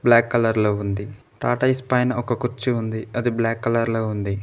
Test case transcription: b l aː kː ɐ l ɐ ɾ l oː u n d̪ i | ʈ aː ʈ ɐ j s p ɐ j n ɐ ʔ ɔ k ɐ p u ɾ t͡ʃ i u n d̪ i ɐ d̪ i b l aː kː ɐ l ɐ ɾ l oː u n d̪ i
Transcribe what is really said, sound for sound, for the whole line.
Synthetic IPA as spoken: b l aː kː ɐ l ɐ ɾ l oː u n d̪ i | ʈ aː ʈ ɐ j s p ɐ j n ɐ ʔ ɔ k ɐ k u ɾ t͡ʃ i u n d̪ i ɐ d̪ i b l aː kː ɐ l ɐ ɾ l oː u n d̪ i